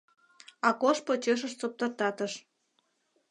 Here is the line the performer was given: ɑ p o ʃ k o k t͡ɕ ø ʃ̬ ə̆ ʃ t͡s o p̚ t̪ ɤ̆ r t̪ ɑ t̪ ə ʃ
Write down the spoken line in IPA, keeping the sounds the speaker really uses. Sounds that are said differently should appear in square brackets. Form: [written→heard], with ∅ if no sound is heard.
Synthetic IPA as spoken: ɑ [p→k] o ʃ [k→p] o [k→∅] t͡ɕ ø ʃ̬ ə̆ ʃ t͡s o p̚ t̪ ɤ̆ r t̪ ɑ t̪ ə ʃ